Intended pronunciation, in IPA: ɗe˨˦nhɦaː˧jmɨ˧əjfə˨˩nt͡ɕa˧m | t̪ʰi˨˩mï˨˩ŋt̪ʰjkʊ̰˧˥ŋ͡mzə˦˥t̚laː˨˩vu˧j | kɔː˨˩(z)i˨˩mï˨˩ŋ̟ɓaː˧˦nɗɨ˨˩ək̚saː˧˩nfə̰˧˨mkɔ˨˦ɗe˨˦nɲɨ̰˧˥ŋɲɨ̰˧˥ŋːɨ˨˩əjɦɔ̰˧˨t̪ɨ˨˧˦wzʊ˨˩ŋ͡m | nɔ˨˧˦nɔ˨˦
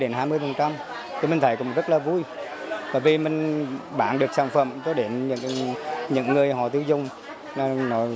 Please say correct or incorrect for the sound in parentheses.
incorrect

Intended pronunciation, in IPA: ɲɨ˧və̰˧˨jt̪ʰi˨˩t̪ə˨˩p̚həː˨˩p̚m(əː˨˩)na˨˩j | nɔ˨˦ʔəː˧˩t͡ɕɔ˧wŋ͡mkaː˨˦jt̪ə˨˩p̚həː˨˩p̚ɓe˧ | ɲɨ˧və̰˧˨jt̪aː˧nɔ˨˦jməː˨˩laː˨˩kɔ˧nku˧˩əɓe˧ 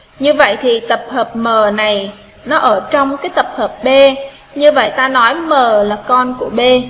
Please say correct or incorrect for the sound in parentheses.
correct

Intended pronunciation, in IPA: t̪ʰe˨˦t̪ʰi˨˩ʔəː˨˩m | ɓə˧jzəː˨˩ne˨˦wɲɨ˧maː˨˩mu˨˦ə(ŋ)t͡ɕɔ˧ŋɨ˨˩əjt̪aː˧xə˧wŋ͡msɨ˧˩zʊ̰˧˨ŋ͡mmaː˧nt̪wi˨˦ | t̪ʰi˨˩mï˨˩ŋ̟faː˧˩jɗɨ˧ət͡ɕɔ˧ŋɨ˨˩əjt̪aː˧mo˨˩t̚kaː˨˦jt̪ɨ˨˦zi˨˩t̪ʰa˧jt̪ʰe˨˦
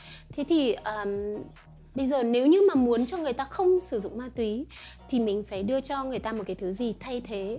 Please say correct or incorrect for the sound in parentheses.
incorrect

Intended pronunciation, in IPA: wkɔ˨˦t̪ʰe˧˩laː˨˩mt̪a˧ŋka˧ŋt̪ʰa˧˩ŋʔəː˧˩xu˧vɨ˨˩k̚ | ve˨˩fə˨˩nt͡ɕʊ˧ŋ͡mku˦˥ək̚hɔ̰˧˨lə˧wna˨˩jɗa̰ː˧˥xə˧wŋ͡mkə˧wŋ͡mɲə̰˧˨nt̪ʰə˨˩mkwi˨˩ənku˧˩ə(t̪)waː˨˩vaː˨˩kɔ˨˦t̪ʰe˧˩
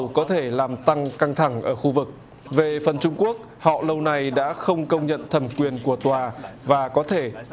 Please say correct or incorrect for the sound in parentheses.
correct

